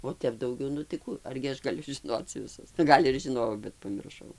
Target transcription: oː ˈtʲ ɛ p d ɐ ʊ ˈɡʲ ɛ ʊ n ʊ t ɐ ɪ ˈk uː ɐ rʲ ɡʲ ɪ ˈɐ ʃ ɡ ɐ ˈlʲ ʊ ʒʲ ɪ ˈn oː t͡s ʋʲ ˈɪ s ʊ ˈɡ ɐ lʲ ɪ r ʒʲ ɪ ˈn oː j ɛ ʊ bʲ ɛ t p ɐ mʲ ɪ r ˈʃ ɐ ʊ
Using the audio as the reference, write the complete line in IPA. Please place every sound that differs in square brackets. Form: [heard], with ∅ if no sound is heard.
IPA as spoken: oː ˈtʲ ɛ p d ɐ ʊ ˈɡʲ ɛ ʊ n ʊ t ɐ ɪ ˈk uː ɐ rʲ ɡʲ ɪ ˈɐ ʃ ɡ ɐ ˈlʲ ʊ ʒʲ ɪ ˈn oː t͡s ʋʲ ˈɪ s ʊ ˈɡ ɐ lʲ ɪ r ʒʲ ɪ ˈn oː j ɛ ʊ bʲ ɛ t p ɐ mʲ ɪ r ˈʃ ɐ ʊ